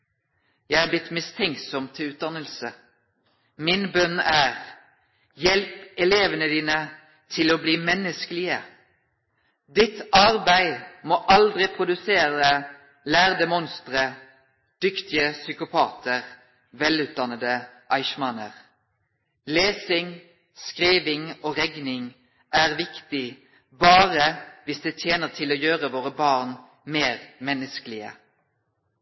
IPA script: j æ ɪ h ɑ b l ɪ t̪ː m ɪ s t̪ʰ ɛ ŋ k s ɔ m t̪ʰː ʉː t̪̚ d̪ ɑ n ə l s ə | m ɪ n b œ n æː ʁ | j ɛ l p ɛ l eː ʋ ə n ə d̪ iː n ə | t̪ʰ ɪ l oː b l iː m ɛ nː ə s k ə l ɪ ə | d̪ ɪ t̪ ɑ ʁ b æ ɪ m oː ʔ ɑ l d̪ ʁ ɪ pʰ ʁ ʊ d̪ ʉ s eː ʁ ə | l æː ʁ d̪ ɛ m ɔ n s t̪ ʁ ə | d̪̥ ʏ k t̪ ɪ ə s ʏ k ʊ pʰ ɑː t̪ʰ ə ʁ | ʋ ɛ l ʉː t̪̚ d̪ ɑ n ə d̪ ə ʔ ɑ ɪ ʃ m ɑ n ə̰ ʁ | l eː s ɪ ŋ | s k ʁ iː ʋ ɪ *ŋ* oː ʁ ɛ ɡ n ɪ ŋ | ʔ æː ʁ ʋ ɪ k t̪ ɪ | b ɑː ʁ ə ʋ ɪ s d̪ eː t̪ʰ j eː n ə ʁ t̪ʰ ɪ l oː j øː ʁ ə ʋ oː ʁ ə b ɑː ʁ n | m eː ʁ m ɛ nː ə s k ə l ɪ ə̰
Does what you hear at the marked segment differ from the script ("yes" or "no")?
no